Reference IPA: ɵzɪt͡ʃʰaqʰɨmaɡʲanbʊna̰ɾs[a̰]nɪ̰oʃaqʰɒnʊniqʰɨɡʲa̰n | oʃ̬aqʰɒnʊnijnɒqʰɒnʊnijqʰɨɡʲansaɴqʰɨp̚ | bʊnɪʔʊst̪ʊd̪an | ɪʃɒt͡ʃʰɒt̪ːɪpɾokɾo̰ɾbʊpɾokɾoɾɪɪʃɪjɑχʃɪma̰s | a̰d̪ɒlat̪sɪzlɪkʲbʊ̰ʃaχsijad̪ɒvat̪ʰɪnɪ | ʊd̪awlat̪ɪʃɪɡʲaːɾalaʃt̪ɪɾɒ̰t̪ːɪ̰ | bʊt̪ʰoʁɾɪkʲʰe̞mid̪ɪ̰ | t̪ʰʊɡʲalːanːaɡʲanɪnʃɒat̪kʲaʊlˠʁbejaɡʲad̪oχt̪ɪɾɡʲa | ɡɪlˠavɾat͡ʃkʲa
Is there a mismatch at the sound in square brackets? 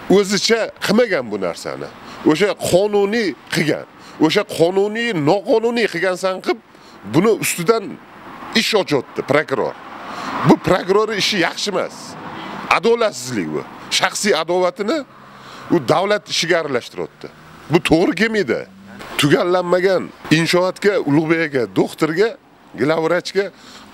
no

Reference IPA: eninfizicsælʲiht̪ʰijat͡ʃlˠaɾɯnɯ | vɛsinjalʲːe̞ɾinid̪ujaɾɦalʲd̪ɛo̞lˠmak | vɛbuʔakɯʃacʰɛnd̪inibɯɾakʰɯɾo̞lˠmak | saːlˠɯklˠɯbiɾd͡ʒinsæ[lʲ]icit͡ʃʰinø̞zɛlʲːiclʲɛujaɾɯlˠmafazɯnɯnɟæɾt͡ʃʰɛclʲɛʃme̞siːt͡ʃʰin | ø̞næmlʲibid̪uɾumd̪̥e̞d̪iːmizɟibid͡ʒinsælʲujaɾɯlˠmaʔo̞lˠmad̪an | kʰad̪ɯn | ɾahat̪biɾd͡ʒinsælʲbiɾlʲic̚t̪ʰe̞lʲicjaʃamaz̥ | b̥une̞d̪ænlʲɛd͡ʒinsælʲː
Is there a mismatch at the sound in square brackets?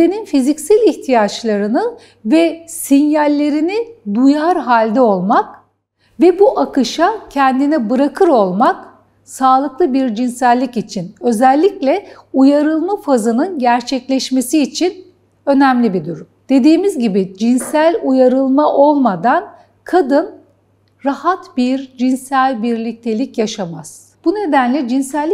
yes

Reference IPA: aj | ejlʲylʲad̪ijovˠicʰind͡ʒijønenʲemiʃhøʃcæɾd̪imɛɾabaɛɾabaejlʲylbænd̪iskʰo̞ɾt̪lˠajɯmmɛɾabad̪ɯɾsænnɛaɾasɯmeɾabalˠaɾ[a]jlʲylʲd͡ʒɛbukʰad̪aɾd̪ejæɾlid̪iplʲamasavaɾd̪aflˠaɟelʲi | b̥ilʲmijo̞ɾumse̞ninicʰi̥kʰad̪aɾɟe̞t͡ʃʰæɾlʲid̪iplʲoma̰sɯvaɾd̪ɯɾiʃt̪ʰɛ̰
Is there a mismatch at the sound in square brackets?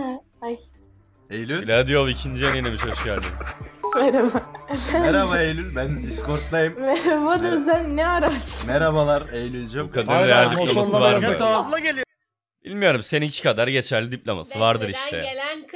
yes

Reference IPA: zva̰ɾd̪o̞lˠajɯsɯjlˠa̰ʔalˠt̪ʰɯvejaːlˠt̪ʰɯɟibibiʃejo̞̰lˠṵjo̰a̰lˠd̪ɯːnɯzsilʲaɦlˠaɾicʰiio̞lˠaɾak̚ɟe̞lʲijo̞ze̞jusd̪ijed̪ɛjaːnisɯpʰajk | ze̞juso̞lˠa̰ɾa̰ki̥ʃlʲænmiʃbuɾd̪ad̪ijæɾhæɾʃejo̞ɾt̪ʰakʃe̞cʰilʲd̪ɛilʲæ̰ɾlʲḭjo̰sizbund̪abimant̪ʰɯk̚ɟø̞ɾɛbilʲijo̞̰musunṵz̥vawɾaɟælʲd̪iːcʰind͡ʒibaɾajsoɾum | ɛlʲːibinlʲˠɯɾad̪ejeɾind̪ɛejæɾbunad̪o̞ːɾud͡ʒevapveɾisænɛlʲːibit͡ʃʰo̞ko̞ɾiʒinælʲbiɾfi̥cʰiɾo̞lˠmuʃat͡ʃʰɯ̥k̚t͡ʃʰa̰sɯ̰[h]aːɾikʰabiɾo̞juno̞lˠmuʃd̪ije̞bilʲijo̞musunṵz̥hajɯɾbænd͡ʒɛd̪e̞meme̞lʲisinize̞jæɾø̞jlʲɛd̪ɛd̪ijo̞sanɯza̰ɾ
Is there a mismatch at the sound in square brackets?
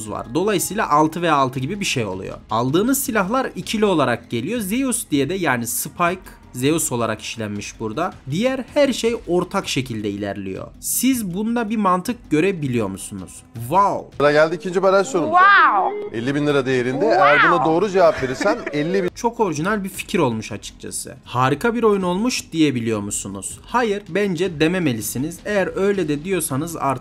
no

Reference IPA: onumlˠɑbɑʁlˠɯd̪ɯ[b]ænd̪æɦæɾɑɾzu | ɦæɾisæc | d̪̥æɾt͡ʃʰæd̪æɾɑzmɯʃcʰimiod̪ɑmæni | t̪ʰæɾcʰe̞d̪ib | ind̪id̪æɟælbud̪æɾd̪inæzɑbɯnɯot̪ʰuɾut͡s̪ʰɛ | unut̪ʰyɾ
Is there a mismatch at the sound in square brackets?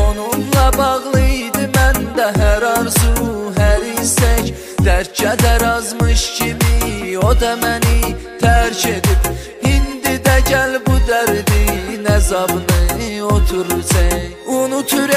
yes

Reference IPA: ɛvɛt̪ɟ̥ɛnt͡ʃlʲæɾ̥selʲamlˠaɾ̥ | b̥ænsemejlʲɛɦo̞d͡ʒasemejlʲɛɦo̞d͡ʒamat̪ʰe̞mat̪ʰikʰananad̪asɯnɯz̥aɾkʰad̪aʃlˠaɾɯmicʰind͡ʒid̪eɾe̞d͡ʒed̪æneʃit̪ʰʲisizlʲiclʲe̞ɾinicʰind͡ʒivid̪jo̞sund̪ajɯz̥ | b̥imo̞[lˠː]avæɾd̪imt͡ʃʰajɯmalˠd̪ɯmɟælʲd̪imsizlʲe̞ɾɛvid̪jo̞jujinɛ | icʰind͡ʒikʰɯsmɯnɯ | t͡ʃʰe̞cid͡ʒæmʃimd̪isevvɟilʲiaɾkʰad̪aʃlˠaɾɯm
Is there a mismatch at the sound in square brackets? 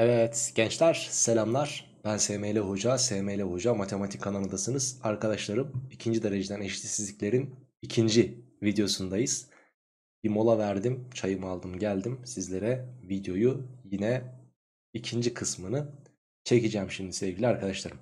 yes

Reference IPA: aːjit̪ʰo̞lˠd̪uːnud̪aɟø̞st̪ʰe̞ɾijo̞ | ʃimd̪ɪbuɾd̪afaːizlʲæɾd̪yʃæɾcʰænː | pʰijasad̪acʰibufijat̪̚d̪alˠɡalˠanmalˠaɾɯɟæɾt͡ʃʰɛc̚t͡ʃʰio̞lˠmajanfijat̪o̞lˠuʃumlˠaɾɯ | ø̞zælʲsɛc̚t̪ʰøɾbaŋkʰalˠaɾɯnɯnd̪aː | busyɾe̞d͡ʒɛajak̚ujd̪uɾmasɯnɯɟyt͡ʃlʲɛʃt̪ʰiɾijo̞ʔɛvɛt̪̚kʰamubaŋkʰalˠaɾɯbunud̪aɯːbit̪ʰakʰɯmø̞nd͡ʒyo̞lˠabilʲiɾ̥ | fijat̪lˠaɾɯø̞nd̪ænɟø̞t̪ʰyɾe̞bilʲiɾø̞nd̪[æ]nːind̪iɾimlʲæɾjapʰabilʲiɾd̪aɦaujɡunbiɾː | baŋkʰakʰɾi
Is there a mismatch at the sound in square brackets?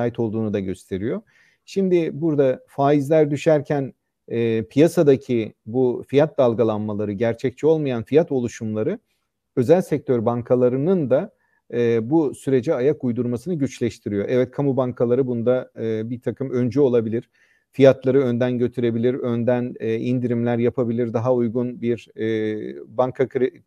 no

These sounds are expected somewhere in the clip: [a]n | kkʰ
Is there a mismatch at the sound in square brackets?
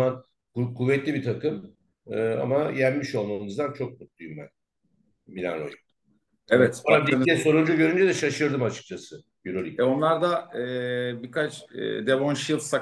no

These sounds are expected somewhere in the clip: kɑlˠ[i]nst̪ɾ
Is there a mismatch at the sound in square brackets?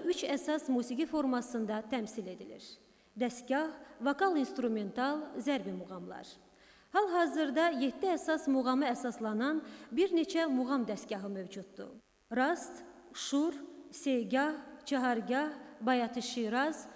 no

